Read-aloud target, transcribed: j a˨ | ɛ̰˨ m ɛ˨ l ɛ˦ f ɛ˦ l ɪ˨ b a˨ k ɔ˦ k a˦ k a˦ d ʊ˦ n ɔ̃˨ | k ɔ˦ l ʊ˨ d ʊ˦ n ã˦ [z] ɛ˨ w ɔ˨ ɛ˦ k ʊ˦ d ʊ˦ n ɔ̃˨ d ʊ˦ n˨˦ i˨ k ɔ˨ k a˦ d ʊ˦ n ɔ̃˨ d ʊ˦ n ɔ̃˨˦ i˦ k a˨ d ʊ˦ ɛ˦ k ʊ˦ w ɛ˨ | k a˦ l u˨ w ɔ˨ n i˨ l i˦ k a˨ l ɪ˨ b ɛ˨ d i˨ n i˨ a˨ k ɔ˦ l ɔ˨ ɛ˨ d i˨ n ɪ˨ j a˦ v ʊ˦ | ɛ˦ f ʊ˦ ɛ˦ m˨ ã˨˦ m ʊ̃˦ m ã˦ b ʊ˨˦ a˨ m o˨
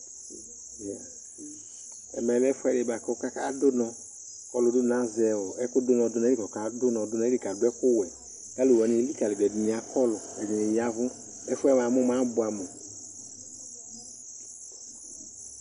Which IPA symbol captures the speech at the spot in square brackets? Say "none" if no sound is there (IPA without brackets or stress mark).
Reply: z